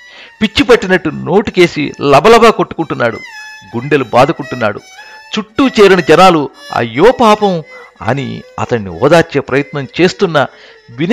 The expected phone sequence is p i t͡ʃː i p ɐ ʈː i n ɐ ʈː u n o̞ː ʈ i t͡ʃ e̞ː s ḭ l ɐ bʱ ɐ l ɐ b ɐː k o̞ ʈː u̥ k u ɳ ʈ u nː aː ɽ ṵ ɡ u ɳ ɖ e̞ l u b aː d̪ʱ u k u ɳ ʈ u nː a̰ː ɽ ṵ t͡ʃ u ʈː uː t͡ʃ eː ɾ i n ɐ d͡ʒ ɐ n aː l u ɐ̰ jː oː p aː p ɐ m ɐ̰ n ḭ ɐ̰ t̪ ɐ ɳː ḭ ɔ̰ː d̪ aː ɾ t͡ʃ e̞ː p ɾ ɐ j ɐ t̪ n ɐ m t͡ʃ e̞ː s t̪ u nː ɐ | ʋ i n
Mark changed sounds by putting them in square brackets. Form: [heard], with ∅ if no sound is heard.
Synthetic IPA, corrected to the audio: p i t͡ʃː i p ɐ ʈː i n ɐ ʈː u n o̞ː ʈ i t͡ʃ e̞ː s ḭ l ɐ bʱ ɐ l ɐ b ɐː k o̞ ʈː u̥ k u ɳ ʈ u nː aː ɽ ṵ ɡ u ɳ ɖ e̞ l u b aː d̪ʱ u k u ɳ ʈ u nː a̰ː ɽ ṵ t͡ʃ u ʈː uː t͡ʃ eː ɾ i n ɐ d͡ʒ ɐ n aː l u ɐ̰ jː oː p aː p ɐ m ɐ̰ n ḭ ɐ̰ t̪ ɐ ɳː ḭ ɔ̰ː d̪ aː ɾ t͡ʃ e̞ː p ɾ ɐ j ɐ t̪ n ɐ m t͡ʃ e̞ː s t̪ u nː ɐ | ʋ i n